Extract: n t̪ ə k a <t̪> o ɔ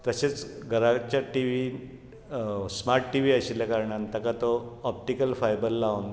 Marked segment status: correct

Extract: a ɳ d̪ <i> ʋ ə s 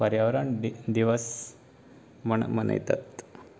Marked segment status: correct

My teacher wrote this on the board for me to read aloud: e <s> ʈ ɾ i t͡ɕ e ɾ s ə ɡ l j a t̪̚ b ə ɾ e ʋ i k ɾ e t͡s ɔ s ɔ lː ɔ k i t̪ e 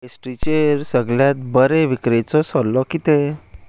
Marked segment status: correct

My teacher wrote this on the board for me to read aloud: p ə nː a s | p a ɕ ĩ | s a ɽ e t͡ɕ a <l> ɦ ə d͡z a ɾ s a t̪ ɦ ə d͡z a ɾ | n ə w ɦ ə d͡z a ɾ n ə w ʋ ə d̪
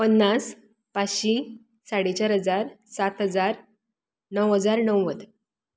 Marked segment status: incorrect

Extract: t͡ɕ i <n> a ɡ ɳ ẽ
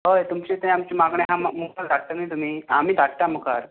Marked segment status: incorrect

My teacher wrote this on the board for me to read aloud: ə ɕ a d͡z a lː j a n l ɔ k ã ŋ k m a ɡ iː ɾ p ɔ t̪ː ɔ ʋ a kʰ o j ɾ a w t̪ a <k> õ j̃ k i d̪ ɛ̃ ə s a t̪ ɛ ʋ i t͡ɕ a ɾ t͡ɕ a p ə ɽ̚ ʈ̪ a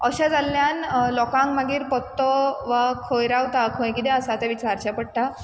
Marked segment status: incorrect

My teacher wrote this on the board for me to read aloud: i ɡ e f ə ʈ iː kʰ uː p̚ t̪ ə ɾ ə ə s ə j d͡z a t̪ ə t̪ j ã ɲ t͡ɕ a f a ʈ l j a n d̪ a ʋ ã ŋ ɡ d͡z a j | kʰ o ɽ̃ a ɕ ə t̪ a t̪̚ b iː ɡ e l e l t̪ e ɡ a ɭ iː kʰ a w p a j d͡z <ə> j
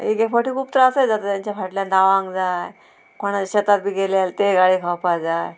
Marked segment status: incorrect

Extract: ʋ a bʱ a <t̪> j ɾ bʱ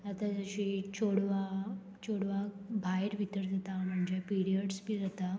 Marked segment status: incorrect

